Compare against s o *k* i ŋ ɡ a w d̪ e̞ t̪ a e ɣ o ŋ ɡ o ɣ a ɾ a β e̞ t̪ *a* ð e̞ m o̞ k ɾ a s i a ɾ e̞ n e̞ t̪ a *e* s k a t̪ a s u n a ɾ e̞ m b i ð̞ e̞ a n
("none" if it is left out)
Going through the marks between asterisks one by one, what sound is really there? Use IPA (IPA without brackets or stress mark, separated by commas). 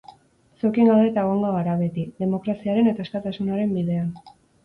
k, i, e